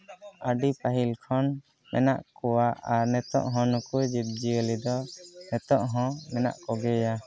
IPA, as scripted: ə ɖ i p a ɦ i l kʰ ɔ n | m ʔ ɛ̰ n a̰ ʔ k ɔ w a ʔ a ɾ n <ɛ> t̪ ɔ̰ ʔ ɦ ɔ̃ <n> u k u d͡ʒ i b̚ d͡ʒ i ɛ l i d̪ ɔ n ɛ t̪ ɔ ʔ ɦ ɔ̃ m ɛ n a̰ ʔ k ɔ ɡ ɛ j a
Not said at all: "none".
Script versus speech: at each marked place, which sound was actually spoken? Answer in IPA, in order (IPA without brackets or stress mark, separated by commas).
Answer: ɛ, n